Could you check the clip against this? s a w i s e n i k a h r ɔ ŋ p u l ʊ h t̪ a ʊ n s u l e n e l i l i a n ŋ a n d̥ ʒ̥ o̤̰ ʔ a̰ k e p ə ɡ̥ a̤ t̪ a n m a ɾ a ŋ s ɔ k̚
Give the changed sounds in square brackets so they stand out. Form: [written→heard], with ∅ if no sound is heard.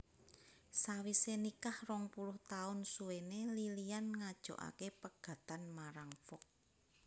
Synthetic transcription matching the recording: s a w i s e n i k a h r ɔ ŋ p u l ʊ h t̪ a ʊ n s u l e n e l i l i a n ŋ a [n→∅] d̥ ʒ̥ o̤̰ ʔ a̰ k e p ə ɡ̥ a̤ t̪ a n m a ɾ a ŋ [s→f] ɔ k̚